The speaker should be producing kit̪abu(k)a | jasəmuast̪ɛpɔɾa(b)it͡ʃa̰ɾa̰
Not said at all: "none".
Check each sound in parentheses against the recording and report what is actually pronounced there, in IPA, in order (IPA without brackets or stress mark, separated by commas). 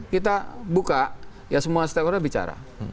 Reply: k, b